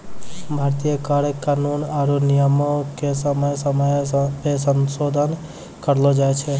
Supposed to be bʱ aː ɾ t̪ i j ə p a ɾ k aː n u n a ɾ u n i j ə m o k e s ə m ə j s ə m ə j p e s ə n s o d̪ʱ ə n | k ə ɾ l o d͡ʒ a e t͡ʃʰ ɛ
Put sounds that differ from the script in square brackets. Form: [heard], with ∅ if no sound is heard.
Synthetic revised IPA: bʱ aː ɾ t̪ i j ə [k] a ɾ k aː n u n a ɾ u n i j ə m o k e s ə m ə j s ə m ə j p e s ə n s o d̪ʱ ə n | k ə ɾ l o d͡ʒ a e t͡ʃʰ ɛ